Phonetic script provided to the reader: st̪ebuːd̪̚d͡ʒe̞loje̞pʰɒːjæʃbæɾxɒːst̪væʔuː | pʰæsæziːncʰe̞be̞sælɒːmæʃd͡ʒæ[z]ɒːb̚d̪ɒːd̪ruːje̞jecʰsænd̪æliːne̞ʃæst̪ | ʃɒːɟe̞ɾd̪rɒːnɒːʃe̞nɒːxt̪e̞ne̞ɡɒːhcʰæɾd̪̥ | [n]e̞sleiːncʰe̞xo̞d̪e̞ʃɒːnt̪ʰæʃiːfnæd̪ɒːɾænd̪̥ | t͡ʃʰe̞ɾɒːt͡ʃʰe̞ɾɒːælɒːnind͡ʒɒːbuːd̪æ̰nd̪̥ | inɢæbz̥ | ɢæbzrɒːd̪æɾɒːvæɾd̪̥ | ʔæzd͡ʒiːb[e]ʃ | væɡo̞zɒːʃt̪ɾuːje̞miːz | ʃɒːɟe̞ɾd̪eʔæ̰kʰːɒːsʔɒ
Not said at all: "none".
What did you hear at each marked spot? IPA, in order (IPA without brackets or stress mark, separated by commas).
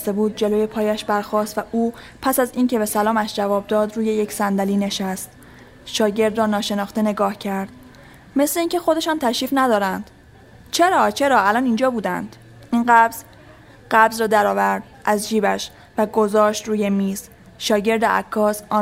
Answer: v, m, æ